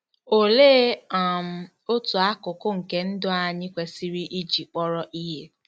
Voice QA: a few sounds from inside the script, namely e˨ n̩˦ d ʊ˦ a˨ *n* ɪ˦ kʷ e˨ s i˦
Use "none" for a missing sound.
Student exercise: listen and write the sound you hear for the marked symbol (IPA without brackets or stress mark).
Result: ɲ